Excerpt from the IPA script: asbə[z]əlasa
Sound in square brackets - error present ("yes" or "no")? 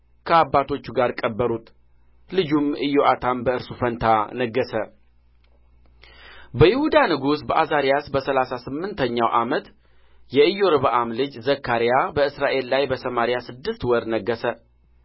yes